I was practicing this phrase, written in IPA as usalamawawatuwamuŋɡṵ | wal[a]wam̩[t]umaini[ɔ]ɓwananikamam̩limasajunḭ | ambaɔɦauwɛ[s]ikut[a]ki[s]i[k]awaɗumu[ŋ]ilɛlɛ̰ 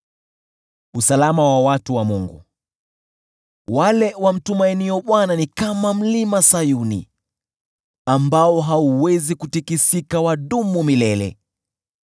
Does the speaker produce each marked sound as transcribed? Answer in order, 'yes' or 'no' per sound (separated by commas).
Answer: no, yes, yes, no, no, yes, yes, no